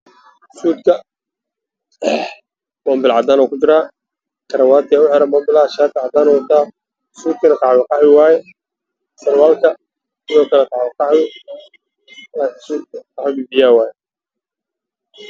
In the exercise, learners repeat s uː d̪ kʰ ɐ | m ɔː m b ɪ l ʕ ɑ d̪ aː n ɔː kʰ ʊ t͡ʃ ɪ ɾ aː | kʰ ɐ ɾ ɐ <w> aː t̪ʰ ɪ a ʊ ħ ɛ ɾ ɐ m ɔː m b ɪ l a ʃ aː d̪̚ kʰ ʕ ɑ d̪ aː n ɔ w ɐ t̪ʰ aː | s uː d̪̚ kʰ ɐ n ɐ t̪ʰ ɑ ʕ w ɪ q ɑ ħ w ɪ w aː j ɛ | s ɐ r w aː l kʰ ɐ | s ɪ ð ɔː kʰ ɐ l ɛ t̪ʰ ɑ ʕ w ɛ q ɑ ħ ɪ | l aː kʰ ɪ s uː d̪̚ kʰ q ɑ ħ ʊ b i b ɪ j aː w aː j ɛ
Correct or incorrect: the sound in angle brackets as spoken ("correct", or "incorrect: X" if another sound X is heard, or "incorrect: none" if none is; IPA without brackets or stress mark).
correct